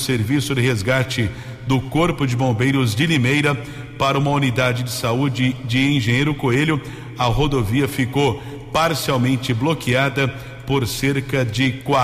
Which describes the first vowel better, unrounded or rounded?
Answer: unrounded